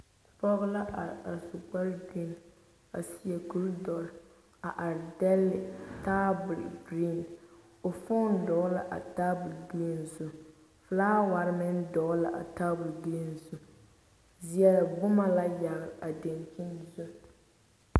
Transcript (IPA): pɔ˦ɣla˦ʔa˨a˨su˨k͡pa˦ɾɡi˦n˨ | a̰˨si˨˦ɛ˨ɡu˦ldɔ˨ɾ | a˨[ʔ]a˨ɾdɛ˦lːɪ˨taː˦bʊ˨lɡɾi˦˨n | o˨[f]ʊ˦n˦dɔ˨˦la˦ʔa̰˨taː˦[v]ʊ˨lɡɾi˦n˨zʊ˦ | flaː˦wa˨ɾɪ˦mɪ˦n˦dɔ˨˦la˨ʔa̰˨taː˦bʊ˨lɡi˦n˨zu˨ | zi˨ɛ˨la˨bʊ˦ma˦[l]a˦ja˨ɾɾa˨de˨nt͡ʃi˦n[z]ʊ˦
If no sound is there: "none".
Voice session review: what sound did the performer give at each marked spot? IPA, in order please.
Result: ʔ, f, b, l, z

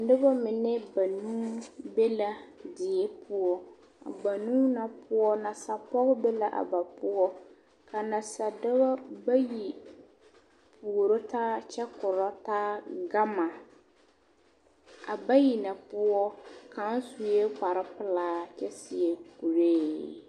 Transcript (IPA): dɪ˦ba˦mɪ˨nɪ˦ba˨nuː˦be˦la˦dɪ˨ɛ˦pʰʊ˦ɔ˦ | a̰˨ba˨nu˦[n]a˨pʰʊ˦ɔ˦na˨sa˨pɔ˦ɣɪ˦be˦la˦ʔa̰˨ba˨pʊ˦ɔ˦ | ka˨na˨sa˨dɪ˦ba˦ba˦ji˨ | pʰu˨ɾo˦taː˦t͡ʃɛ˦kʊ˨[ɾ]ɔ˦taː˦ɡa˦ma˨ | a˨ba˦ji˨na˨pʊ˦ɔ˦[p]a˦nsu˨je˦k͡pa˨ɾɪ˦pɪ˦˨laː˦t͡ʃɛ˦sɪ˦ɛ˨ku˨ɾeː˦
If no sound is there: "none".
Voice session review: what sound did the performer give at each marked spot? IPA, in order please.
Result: n, ɾ, k

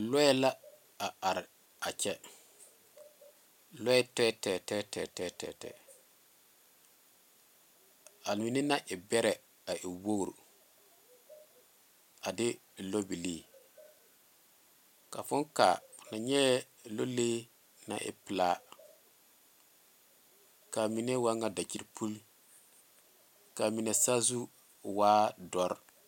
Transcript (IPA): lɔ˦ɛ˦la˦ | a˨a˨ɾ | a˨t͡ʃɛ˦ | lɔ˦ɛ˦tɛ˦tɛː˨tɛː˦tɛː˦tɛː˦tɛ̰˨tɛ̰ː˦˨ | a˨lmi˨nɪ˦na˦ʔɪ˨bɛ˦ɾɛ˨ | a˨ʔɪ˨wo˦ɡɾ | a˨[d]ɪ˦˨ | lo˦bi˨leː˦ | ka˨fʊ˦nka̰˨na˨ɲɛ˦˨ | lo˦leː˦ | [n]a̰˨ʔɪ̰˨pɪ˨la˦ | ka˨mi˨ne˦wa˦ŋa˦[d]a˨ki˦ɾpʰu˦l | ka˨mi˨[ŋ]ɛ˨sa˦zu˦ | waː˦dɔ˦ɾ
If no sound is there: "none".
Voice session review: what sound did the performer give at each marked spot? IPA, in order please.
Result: d, n, d, n

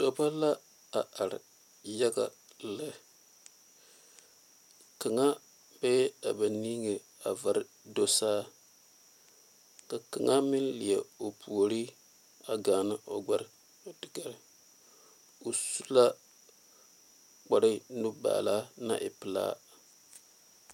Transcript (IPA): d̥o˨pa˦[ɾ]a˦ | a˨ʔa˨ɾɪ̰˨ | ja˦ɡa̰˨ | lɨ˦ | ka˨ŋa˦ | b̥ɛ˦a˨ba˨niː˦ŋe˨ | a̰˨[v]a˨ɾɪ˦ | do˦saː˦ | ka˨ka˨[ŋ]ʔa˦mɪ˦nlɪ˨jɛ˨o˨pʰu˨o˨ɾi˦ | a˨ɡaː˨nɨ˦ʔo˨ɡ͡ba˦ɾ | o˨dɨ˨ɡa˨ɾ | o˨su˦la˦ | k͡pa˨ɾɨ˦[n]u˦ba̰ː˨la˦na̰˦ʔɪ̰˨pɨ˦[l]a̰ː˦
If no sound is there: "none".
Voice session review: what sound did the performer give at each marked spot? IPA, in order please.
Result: l, v, ŋ, n, l

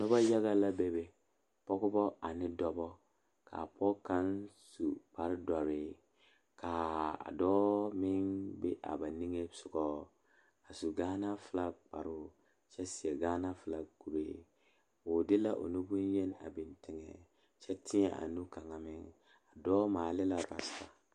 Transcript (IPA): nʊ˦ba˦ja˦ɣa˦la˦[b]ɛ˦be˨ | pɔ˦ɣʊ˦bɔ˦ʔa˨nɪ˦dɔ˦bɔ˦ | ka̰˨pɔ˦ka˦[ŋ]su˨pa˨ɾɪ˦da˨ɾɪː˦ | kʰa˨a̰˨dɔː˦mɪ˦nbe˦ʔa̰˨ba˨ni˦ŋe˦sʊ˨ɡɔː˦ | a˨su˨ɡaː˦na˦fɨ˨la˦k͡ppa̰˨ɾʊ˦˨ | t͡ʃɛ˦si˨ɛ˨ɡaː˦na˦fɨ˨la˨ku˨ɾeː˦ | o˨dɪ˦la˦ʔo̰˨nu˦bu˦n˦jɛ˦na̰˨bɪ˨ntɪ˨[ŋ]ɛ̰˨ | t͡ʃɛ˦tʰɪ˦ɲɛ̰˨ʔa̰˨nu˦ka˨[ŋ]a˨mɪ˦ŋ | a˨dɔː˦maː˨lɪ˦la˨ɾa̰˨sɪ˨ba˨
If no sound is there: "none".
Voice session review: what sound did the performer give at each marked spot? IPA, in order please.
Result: b, n, ŋ, ŋ

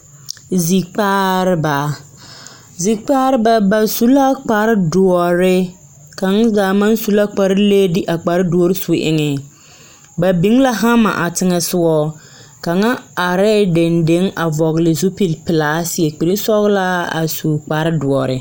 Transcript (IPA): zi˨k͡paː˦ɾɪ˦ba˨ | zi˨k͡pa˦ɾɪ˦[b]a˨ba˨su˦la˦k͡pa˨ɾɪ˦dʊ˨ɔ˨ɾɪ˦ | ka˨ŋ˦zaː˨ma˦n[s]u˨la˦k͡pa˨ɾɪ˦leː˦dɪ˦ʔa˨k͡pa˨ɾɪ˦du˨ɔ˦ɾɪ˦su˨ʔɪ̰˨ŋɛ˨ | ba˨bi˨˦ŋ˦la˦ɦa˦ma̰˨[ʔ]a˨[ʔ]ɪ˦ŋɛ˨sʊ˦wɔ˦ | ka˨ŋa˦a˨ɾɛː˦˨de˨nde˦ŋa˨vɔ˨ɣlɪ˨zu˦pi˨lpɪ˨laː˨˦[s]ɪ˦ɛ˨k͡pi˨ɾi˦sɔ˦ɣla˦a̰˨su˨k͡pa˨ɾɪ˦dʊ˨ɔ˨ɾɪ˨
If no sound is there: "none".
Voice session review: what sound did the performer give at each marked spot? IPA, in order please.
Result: b, s, ʔ, t, s

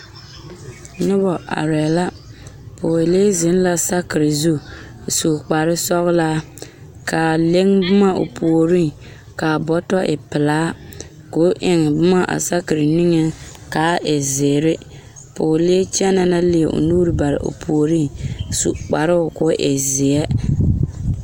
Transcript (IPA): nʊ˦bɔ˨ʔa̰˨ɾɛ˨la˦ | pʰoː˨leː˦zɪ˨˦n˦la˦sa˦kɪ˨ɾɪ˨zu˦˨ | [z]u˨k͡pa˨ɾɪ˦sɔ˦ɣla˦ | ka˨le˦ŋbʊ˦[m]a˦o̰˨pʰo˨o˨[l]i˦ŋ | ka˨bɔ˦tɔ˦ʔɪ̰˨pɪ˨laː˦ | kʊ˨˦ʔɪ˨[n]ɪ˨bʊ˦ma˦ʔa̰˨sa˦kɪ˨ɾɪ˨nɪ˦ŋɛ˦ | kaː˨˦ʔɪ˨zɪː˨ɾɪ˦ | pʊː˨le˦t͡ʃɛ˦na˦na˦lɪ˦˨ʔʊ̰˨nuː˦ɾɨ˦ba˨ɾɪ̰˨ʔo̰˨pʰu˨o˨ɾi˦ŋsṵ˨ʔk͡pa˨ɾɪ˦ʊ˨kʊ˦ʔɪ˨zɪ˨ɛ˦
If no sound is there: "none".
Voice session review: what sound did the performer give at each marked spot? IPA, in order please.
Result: s, m, ɾ, ŋ

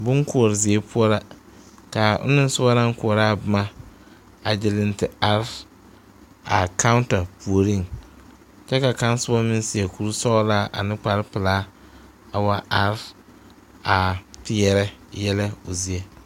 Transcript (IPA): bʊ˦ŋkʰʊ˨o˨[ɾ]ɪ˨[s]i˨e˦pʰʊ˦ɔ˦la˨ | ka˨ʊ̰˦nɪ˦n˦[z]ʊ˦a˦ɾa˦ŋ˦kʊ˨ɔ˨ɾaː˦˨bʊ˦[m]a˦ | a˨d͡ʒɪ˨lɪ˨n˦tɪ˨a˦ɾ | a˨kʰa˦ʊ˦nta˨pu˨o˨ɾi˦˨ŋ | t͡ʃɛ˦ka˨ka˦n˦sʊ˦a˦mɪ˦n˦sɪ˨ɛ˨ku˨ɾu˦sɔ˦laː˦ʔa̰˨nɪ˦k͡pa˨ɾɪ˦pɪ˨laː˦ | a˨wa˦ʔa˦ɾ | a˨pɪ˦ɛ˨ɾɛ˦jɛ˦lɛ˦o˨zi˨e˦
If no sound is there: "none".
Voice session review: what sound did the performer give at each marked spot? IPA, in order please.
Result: ɾ, z, s, m

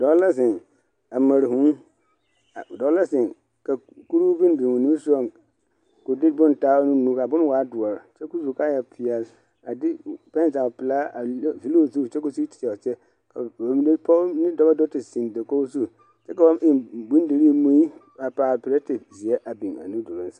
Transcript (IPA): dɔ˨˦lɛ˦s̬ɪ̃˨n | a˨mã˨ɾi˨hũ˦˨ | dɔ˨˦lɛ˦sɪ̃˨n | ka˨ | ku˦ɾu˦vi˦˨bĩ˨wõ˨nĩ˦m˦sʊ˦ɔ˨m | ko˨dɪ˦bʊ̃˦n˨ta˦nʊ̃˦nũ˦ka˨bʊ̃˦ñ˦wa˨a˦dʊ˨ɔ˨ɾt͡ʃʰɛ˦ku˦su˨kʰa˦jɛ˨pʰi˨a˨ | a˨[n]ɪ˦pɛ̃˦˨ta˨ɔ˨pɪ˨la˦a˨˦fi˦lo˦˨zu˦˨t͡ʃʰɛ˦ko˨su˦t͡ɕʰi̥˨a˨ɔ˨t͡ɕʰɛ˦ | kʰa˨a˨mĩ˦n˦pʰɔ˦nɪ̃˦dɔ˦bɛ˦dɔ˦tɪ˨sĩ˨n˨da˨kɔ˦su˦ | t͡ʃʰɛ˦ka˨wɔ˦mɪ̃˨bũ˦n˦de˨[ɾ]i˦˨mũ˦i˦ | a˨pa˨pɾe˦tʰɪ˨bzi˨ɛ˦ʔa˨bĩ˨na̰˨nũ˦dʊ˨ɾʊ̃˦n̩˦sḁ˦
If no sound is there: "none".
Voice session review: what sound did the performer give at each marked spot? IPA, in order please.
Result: d, ɾ

